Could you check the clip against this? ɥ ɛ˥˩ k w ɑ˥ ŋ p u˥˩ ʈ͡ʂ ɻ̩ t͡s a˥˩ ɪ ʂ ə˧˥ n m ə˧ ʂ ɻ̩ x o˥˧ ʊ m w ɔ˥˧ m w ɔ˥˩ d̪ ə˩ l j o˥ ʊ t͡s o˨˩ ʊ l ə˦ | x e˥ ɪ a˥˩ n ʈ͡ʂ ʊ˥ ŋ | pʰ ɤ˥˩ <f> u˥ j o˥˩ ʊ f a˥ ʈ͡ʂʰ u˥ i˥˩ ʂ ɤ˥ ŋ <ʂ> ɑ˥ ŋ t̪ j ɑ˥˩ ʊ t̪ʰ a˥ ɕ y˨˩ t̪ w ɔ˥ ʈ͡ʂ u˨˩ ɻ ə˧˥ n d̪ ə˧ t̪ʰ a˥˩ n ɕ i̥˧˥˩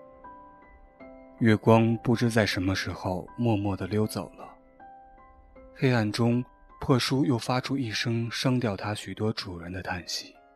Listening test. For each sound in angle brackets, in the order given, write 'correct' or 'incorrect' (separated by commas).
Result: incorrect, correct